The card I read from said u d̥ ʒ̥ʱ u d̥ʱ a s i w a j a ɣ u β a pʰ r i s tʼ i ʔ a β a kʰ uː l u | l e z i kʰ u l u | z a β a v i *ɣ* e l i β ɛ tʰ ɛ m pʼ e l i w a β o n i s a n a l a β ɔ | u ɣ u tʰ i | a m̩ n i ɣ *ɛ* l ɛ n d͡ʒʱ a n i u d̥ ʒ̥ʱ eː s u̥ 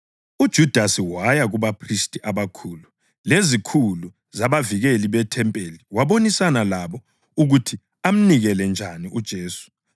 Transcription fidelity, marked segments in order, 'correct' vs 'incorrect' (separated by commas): correct, correct